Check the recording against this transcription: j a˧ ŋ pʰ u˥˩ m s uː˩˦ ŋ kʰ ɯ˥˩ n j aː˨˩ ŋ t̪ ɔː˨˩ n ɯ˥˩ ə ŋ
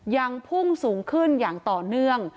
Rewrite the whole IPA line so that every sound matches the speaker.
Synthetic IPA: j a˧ ŋ pʰ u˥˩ ŋ s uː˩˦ ŋ kʰ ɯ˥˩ n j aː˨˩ ŋ t̪ ɔː˨˩ n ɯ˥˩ ə ŋ